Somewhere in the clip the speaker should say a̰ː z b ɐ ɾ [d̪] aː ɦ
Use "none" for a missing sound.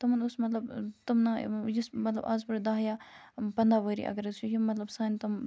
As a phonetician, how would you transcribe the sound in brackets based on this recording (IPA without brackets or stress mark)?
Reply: d̪